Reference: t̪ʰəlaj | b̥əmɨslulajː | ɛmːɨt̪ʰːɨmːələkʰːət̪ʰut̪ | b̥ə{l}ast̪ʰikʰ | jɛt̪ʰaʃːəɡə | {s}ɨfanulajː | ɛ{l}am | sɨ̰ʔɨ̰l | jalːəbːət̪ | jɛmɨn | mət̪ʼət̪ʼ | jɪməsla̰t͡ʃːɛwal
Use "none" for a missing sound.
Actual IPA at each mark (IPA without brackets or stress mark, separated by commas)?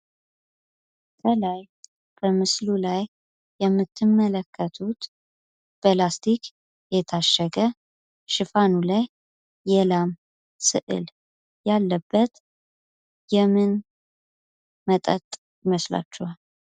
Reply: l, ʃ, l